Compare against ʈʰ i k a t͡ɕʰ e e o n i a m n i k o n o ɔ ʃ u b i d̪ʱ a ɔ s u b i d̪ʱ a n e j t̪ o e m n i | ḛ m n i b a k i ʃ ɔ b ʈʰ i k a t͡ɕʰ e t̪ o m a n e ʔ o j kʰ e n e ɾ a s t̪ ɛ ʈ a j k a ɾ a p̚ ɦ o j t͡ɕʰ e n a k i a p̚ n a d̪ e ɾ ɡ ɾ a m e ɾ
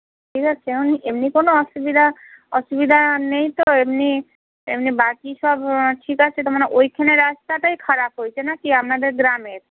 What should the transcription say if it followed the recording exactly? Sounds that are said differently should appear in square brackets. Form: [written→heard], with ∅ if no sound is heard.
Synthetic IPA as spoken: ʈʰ i k a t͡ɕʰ e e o n i [a→e] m n i k o n o ɔ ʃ u b i d̪ʱ a ɔ [s→ʃ] u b i d̪ʱ a n e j t̪ o e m n i | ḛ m n i b a k i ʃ ɔ b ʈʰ i k a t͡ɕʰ e t̪ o m a n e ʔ o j kʰ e n e ɾ a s t̪ [ɛ→a] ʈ a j [k→kʰ] a ɾ a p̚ ɦ o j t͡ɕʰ e n a k i a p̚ n a d̪ e ɾ ɡ ɾ a m e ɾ